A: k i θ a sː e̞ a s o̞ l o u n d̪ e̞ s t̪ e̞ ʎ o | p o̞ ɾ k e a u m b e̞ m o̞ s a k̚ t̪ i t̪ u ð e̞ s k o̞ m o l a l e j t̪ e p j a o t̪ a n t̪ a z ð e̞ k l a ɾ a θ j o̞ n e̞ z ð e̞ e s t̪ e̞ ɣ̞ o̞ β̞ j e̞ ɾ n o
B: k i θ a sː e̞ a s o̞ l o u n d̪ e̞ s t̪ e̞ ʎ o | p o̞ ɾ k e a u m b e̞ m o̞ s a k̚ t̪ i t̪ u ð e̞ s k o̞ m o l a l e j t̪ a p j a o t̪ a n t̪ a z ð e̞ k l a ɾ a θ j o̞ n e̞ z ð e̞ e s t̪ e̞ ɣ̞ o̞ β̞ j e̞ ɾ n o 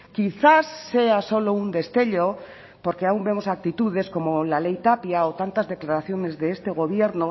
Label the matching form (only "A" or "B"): B